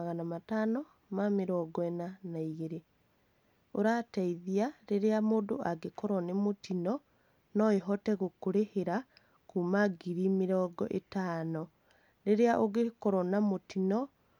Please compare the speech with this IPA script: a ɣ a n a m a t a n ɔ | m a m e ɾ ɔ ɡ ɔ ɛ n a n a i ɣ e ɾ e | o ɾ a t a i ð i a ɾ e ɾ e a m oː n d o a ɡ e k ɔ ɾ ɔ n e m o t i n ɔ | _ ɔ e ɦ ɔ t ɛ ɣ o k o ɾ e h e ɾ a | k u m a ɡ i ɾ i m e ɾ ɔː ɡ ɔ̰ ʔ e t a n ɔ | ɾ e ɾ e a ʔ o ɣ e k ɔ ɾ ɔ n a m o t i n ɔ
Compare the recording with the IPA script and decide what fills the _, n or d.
n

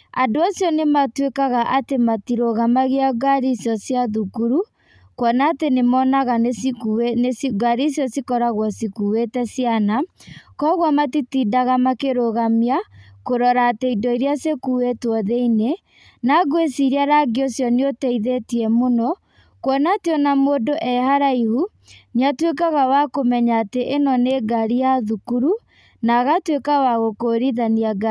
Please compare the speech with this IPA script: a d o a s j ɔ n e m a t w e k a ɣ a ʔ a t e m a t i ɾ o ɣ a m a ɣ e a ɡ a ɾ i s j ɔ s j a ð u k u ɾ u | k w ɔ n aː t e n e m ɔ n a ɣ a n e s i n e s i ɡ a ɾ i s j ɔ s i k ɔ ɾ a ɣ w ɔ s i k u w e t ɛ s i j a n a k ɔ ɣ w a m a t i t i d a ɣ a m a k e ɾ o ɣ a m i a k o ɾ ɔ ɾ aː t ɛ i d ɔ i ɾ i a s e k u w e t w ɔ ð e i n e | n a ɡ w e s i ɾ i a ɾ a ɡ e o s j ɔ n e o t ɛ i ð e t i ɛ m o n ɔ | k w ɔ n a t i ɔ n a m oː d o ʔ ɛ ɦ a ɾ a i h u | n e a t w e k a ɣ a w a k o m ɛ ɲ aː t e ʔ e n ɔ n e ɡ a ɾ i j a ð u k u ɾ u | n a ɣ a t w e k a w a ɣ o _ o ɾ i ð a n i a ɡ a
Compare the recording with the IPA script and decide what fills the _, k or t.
k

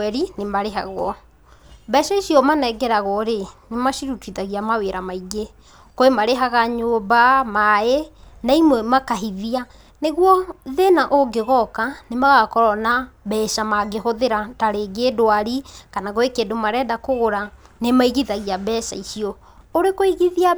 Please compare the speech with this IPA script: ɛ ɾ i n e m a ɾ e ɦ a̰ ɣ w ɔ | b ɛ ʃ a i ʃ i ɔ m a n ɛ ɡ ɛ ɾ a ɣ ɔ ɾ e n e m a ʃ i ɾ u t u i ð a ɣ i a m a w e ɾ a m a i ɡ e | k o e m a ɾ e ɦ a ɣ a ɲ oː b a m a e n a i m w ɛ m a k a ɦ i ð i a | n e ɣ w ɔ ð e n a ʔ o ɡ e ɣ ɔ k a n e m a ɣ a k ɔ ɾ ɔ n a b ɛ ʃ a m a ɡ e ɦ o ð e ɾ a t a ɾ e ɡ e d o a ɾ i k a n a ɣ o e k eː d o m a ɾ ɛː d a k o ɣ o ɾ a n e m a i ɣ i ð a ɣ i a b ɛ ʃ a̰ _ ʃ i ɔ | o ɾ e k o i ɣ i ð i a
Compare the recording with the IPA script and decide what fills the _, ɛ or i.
i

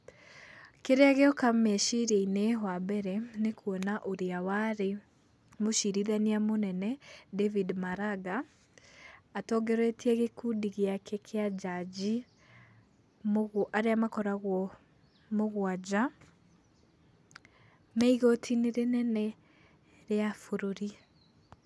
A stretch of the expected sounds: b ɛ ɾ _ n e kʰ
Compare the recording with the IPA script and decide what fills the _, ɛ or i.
ɛ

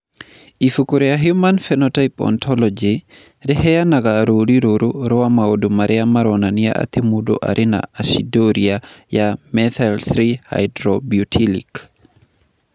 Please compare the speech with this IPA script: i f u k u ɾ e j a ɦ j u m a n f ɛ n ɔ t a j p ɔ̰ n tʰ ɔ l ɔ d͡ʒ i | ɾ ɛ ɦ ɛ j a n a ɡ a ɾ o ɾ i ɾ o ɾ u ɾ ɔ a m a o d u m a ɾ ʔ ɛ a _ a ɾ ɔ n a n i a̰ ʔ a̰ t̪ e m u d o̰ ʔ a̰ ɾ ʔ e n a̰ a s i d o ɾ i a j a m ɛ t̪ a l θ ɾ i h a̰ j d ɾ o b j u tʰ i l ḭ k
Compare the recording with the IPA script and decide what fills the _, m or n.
m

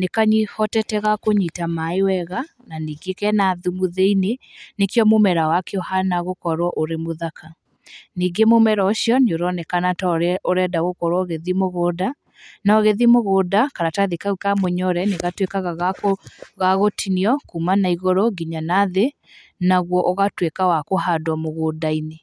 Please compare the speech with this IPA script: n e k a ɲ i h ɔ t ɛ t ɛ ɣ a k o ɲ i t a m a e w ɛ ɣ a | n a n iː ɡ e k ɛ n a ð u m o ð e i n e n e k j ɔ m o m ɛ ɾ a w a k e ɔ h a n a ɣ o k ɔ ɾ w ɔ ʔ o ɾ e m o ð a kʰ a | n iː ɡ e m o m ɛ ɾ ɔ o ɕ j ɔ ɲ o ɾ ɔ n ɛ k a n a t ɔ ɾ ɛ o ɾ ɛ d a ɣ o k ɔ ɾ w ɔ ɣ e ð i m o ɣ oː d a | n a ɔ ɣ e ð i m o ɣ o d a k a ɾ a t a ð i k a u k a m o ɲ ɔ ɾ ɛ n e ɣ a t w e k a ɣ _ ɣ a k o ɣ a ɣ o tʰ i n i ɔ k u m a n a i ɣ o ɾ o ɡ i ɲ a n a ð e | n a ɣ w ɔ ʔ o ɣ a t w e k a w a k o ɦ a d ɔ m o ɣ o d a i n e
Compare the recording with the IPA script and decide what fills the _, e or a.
a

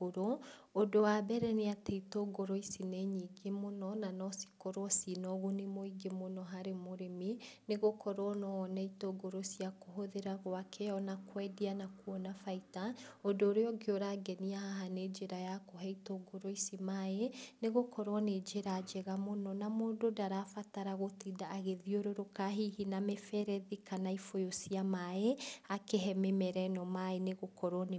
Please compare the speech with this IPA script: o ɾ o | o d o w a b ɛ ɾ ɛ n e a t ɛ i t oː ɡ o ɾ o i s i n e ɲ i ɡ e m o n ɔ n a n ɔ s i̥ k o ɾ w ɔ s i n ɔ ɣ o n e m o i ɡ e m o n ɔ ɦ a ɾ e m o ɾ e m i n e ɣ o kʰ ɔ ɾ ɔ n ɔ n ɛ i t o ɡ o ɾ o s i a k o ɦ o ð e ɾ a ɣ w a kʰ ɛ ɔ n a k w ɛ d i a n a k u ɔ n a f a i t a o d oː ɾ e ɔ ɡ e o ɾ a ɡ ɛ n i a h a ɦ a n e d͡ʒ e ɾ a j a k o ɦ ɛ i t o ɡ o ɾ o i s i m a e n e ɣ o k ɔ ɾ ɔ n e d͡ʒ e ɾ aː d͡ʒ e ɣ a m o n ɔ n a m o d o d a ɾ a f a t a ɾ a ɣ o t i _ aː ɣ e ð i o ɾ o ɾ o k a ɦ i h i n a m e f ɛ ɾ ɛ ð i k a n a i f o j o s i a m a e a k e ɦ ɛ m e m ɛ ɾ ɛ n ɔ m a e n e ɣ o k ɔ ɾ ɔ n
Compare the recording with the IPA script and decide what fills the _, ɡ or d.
d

